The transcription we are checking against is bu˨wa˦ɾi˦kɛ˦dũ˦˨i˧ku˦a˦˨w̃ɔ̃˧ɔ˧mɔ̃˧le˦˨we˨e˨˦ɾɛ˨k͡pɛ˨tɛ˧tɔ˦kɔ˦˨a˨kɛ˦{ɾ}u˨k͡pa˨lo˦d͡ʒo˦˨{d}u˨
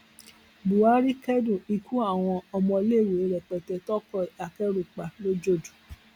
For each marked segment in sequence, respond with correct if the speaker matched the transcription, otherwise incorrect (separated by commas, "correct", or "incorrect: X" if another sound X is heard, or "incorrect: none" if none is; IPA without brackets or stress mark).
correct, correct